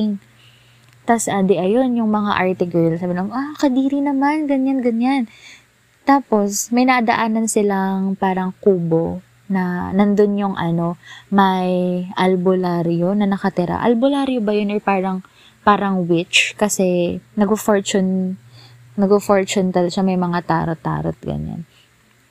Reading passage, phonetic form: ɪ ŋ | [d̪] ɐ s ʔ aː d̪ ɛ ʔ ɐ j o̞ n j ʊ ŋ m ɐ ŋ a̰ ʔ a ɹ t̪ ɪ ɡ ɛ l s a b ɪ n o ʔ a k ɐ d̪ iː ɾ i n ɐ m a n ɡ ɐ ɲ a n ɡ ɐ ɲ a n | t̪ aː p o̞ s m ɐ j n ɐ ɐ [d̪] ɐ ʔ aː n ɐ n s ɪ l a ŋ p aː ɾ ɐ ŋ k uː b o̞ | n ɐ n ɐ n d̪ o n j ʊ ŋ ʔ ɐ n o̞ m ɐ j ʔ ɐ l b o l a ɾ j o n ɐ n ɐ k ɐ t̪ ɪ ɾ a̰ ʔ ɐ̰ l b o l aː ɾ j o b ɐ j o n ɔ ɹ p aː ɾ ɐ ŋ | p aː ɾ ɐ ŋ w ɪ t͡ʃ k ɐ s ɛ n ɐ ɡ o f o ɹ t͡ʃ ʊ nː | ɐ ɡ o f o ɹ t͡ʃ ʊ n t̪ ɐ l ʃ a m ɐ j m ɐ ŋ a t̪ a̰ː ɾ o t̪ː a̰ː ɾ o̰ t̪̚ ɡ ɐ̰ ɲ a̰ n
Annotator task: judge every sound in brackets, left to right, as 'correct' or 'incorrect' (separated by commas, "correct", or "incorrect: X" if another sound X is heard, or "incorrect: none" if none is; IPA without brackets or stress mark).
incorrect: t̪, correct